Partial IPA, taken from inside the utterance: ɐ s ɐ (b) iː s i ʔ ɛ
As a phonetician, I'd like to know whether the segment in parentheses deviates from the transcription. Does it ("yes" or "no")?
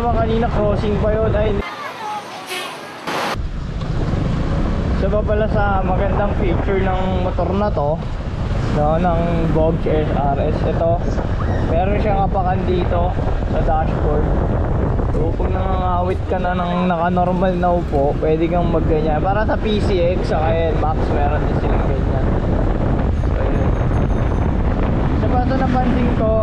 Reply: yes